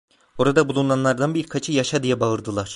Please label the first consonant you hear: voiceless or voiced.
voiced